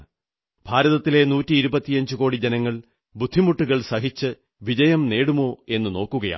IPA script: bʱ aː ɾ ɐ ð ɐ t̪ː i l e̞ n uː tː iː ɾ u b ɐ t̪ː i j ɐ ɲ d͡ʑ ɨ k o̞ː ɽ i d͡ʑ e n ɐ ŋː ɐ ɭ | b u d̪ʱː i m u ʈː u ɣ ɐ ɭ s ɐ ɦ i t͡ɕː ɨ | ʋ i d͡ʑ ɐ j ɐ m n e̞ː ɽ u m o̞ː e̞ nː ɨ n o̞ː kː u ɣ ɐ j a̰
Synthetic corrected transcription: bʱ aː ɾ ɐ ð ɐ t̪ː i l e̞ n uː tː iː ɾ u b ɐ t̪ː i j ɐ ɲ d͡ʑ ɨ k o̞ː ɽ i d͡ʑ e n ɐ ŋː ɐ ɭ | b u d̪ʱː i m u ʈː u ɣ ɐ ɭ s ɐ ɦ i t͡ɕː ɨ | ʋ i d͡ʑ ɐ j ɐ m n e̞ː ɽ u m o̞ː e̞ nː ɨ n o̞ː kː u ɣ ɐ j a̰

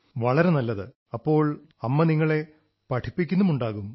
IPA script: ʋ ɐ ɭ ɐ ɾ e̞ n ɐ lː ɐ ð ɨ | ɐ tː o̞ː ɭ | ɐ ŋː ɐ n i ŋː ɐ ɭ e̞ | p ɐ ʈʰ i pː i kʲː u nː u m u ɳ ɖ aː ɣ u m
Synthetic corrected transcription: ʋ ɐ ɭ ɐ ɾ e̞ n ɐ lː ɐ ð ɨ | ɐ pː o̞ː ɭ | ɐ mː ɐ n i ŋː ɐ ɭ e̞ | p ɐ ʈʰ i pː i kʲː u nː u m u ɳ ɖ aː ɣ u m

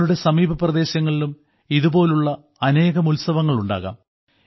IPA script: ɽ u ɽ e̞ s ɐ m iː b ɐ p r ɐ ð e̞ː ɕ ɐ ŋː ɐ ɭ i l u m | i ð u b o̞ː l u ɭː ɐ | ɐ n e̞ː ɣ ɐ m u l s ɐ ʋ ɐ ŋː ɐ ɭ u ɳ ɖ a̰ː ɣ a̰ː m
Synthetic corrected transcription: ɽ u ɽ e̞ s ɐ m iː b ɐ p r ɐ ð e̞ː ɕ ɐ ŋː ɐ ɭ i l u m | i ð u b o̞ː l u ɭː ɐ | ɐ n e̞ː ɣ ɐ m u l s ɐ ʋ ɐ ŋː ɐ ɭ u ɳ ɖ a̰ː ɣ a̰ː m

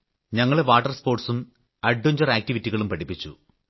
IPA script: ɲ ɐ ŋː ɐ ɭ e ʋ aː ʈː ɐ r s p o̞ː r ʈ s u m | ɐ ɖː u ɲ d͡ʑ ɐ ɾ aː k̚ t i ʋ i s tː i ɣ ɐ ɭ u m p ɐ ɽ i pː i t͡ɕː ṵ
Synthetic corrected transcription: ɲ ɐ ŋː ɐ ɭ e ʋ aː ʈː ɐ r s p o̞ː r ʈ s u m | ɐ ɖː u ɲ d͡ʑ ɐ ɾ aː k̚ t i ʋ i tː i ɣ ɐ ɭ u m p ɐ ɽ i pː i t͡ɕː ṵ

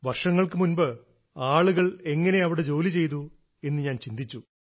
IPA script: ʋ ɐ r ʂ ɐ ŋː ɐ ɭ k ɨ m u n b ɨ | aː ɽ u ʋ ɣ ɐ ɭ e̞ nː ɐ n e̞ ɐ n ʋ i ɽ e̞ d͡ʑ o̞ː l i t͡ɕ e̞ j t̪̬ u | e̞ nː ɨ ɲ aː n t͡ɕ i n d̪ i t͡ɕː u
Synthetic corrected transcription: ʋ ɐ r ʂ ɐ ŋː ɐ ɭ k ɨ m u n b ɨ | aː ɭ u ɣ ɐ ɭ e̞ ŋː ɐ n e̞ ɐ ʋ i ɽ e̞ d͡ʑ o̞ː l i t͡ɕ e̞ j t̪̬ u | e̞ nː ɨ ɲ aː n t͡ɕ i n d̪ i t͡ɕː u

